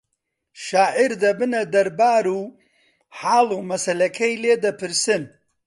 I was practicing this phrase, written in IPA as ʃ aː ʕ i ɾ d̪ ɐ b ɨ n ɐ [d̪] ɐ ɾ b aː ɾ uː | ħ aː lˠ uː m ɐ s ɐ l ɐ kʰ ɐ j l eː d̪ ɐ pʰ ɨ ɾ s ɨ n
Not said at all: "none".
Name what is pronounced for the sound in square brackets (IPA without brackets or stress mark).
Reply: d̪